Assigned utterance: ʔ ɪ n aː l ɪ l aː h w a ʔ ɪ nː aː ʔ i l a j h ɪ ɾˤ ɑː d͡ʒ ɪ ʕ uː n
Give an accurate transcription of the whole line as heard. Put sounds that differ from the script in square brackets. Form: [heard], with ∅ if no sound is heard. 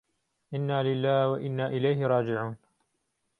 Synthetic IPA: ʔ ɪ [nː] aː l ɪ [lː] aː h w a ʔ ɪ nː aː ʔ [ɪ] l a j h ɪ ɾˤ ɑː d͡ʒ ɪ ʕ uː n